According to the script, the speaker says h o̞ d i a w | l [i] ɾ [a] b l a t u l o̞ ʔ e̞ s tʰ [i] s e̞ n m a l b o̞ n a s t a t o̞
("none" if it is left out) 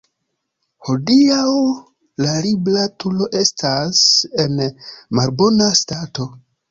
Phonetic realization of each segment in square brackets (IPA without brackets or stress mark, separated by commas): a, i, a